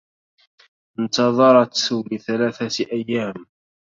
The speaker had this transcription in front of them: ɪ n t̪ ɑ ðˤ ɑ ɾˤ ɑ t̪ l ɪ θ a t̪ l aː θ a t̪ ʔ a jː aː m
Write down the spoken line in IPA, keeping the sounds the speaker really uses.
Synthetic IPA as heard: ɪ n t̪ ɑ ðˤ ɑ ɾˤ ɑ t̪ l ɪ θ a l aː θ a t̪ ʔ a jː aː m